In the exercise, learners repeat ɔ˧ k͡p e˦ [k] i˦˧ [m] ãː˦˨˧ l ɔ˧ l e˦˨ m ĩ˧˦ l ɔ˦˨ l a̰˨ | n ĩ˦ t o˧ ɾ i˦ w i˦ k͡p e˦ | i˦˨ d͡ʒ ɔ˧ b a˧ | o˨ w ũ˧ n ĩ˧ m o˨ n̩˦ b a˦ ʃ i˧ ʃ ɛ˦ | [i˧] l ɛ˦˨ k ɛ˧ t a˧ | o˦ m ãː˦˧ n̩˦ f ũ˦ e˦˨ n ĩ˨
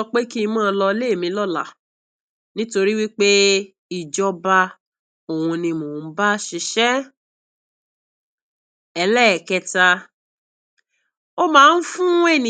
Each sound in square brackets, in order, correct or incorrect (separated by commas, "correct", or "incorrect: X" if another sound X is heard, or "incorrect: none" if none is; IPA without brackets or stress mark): correct, correct, incorrect: ɛ˧